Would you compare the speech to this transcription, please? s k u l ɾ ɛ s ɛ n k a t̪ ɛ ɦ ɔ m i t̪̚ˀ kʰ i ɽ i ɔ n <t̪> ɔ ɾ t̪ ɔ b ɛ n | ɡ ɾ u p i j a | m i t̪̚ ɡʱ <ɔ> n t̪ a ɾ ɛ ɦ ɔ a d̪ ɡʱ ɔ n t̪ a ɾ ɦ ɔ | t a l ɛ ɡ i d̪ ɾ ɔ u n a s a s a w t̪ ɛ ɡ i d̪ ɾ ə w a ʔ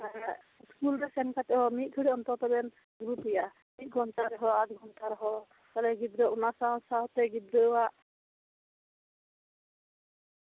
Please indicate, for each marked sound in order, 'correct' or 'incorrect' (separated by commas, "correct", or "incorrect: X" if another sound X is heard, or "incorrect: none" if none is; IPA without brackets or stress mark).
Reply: correct, correct